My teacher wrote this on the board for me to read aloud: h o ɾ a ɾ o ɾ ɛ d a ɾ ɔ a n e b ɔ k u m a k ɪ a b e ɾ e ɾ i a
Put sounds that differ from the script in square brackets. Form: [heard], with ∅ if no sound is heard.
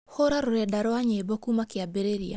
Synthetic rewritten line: h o ɾ a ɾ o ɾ ɛ d a ɾ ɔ a [ɲ] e b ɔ k u m a k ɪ a b e ɾ e ɾ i a